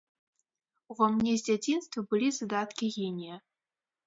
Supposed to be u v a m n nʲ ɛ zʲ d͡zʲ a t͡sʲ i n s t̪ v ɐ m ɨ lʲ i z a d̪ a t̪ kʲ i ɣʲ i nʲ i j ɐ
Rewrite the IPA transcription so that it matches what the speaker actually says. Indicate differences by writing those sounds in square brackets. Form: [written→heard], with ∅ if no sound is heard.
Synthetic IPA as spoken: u v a m n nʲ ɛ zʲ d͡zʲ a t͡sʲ i n s t̪ v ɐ [m→b] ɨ lʲ i z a d̪ a t̪ kʲ i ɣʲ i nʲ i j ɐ